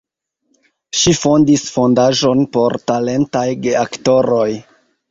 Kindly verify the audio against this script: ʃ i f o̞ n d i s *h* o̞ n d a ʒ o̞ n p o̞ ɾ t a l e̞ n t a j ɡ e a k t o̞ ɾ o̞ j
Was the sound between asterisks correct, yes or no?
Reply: no